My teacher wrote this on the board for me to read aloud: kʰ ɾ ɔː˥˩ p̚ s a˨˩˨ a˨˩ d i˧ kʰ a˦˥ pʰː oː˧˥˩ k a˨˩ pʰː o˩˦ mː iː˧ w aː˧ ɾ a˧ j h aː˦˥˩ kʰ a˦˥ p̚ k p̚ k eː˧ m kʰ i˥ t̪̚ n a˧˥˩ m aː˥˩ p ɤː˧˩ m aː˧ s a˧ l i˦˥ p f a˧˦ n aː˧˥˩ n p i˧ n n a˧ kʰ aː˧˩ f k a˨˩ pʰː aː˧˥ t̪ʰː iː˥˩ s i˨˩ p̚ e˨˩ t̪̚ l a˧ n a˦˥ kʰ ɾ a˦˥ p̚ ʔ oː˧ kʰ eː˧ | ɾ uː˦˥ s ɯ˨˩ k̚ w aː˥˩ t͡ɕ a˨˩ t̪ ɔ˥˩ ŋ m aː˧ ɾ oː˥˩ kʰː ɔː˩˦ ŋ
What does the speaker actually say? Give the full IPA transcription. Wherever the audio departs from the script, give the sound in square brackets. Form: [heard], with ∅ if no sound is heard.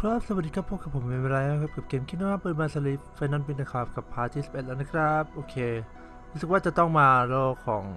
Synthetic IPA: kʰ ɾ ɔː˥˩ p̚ s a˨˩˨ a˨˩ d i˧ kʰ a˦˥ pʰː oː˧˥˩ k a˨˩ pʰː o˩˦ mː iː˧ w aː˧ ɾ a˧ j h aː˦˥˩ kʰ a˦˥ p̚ k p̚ k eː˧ m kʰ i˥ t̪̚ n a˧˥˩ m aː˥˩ p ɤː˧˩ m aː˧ s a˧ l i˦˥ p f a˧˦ n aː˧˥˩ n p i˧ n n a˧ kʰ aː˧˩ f k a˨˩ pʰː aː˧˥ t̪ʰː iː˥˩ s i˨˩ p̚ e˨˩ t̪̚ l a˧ n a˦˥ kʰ ɾ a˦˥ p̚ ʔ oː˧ kʰ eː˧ | ɾ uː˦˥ s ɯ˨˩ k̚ w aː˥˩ t͡ɕ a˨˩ t̪ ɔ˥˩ ŋ m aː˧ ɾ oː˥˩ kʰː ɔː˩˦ ŋ

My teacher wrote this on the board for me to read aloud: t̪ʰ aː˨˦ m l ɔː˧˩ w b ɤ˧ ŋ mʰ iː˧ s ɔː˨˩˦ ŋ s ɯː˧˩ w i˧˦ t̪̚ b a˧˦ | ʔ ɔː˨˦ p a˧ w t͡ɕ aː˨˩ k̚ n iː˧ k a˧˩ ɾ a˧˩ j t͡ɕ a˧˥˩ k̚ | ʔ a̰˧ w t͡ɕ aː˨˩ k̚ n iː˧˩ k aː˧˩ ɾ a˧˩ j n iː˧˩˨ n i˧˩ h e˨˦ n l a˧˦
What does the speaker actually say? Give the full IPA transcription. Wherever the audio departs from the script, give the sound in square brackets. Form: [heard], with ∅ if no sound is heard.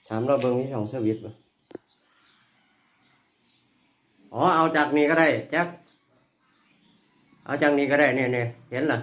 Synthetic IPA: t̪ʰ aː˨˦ m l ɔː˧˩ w b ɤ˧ ŋ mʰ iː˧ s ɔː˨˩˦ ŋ s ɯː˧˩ w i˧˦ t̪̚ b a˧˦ | ʔ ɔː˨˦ [ʔ] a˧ w t͡ɕ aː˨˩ k̚ n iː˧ k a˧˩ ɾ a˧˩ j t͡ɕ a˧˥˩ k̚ | ʔ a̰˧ w t͡ɕ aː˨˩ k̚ n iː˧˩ k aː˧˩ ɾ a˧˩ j n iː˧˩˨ n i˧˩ h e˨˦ n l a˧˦

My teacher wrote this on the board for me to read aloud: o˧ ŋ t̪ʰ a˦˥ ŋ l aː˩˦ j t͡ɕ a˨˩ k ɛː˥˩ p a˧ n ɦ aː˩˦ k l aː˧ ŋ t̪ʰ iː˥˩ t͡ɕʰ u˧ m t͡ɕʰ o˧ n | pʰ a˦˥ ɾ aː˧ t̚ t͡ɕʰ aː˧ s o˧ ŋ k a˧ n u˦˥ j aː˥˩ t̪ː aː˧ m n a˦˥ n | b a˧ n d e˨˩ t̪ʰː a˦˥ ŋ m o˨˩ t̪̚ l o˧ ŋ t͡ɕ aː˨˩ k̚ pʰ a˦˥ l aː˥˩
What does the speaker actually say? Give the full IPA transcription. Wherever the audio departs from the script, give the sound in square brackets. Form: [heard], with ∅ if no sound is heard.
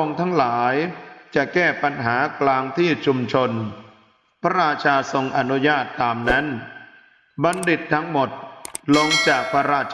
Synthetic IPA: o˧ ŋ t̪ʰ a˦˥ ŋ l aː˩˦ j t͡ɕ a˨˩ k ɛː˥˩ p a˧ n ɦ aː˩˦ k l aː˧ ŋ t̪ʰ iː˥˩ t͡ɕʰ u˧ m t͡ɕʰ o˧ n | pʰ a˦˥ ɾ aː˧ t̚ t͡ɕʰ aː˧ s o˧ ŋ [ʔ] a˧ n u˦˥ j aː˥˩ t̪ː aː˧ m n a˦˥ n | b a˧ n d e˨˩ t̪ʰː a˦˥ ŋ m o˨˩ t̪̚ l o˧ ŋ t͡ɕ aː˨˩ k̚ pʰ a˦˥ [ɾ] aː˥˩

